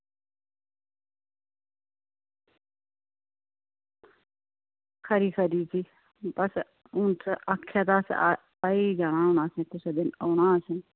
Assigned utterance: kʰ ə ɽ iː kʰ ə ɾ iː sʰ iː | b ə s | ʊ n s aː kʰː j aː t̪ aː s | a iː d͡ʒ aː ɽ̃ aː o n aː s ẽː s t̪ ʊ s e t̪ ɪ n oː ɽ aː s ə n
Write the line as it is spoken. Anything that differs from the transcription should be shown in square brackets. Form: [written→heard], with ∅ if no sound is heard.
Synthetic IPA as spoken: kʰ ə [ɽ→ɾ] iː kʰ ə ɾ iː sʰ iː | b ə s | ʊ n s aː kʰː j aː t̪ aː s | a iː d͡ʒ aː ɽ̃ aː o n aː s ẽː [s→∅] t̪ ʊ s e [t̪→d̪] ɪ n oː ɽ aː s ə n